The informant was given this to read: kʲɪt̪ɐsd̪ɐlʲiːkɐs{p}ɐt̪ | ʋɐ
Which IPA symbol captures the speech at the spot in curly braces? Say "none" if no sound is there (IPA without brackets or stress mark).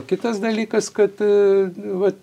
k